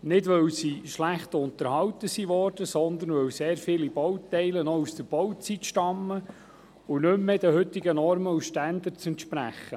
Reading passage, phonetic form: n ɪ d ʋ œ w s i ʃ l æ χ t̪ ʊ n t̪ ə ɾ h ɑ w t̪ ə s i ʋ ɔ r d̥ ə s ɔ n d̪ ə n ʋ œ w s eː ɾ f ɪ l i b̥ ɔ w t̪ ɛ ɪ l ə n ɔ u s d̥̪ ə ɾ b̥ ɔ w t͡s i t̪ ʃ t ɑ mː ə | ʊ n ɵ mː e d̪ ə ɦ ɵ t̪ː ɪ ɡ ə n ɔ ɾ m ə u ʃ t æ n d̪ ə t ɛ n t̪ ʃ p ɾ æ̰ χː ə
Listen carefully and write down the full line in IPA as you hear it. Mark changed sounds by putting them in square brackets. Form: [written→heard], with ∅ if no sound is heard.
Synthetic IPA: n ɪ d ʋ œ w s i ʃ l æ χ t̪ ʊ n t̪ ə ɾ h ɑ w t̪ ə s i ʋ ɔ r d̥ ə s ɔ n d̪ ə n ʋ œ w s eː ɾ f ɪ l i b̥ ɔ w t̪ ɛ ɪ l ə n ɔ u s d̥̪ ə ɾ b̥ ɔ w t͡s i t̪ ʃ t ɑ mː ə | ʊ n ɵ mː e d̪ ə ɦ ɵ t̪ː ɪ ɡ ə n ɔ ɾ m ə u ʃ t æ n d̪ ə [t→t͡s] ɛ n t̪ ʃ p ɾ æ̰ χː ə

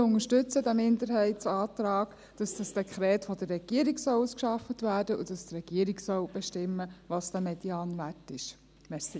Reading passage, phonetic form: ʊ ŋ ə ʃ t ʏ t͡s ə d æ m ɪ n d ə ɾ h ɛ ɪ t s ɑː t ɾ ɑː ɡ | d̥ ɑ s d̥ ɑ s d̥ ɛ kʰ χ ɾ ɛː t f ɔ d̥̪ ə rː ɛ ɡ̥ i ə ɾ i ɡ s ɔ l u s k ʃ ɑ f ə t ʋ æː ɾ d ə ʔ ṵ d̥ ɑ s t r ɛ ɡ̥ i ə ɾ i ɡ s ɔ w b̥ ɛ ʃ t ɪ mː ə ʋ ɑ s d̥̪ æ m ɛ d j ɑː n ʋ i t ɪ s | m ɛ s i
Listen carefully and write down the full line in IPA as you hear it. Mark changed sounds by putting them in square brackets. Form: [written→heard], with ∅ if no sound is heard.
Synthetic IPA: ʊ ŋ ə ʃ t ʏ t͡s ə d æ m ɪ n d ə ɾ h ɛ ɪ t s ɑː t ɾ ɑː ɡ | d̥ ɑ s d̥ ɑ s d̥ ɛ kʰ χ ɾ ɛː t f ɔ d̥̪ ə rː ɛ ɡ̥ i ə ɾ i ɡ s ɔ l u s k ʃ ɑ f ə t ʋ æː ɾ d ə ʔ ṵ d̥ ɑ s t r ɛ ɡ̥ i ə ɾ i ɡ s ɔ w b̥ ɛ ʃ t ɪ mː ə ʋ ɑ s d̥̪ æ m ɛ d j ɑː n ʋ [i→æ] t ɪ [s→ʃ] | m ɛ s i

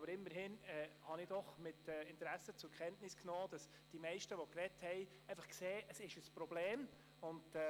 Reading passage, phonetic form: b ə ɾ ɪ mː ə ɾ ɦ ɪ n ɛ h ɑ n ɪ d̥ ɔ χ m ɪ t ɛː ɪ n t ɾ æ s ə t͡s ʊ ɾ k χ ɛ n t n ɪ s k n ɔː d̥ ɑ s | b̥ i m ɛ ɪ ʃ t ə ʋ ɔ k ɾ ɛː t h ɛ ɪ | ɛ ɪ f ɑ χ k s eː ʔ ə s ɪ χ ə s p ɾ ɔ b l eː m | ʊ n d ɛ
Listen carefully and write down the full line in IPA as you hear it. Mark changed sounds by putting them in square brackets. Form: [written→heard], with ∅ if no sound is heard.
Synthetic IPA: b ə ɾ ɪ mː ə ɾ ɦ ɪ n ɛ h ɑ n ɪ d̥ ɔ χ m ɪ t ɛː ɪ n t ɾ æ s ə t͡s ʊ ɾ k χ ɛ n t n ɪ s k n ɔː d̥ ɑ s | [b̥→d̥] i m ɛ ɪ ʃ t ə ʋ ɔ k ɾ [ɛː→ɛ] t h ɛ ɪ | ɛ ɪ f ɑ χ k s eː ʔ ə s ɪ [χ→ʃ] ə s p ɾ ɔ b l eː m | ʊ n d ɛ

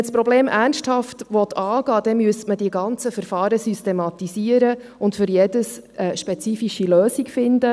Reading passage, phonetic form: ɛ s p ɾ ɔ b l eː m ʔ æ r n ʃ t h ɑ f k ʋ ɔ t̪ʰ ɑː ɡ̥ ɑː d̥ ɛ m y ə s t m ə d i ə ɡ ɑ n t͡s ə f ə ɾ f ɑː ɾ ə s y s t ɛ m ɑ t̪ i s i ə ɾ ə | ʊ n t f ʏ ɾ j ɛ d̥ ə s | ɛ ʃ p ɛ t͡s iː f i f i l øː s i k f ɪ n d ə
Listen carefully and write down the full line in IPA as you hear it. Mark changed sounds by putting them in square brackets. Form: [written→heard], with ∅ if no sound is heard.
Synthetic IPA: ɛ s p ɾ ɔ b l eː m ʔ æ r n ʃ t h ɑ f [k→t] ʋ ɔ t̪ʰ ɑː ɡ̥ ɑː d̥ ɛ m y ə s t m ə d i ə ɡ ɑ n t͡s ə f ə ɾ f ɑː ɾ ə s y s t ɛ m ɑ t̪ i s i ə ɾ ə | ʊ n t f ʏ ɾ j ɛ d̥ ə s | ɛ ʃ p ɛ t͡s iː f i [f→ʃ] i l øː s i k f ɪ n d ə

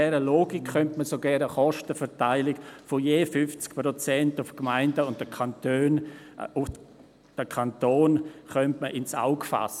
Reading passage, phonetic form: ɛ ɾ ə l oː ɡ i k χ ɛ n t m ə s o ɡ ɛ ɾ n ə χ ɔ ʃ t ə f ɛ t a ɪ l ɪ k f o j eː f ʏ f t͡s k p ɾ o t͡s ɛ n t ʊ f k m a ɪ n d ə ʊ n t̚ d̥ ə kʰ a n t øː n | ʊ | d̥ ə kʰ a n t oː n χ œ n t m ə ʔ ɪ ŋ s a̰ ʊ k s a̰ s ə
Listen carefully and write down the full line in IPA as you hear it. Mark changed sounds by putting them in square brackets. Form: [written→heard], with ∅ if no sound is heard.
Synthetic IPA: ɛ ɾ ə l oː ɡ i k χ [ɛ→œ] n t m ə s o ɡ ɛ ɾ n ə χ ɔ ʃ t ə f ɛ t a ɪ l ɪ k f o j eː f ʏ f t͡s k p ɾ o t͡s ɛ n t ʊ f k m a ɪ n d ə ʊ n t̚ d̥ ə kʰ a n t øː n | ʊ | d̥ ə kʰ a n t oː n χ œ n t m ə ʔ ɪ [ŋ→n] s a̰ ʊ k [s→f] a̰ s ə

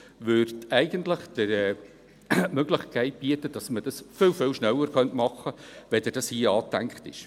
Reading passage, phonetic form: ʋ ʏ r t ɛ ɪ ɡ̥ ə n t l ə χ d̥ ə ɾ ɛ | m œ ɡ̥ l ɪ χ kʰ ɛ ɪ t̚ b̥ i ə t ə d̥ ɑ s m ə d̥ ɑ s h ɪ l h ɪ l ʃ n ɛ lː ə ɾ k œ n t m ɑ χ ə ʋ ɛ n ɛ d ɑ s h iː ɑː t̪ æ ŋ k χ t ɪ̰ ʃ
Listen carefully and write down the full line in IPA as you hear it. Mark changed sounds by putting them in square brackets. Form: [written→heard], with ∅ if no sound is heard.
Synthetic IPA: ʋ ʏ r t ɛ ɪ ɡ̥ ə n t l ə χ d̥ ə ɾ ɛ | m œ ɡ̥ l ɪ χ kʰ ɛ ɪ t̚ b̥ i ə t ə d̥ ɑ s m ə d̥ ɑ s [h→f] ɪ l [h→f] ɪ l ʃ n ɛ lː ə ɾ k œ n t m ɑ χ ə ʋ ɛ [n→d] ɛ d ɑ s h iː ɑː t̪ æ ŋ k χ t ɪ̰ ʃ

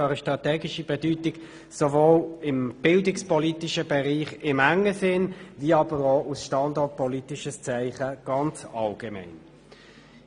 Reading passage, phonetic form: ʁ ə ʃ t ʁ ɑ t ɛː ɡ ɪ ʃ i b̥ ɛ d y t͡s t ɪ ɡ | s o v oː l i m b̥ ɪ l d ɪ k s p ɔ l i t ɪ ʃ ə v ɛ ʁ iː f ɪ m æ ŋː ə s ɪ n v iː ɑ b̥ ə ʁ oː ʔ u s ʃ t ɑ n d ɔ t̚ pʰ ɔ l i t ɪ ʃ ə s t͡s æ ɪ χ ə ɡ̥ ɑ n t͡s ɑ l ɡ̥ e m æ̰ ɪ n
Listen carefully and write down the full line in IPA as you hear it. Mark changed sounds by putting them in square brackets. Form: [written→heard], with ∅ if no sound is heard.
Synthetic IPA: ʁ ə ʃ t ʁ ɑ t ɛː ɡ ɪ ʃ i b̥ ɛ d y [t͡s→∅] t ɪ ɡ | s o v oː l [i→ɪ] m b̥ ɪ l d ɪ k s p ɔ l i t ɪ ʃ ə [v→b] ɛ ʁ iː [f→χ] ɪ m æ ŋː ə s ɪ n v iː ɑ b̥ ə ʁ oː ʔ u s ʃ t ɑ n d ɔ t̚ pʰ ɔ l i t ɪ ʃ ə s t͡s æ ɪ χ ə ɡ̥ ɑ n t͡s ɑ l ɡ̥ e m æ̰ ɪ n

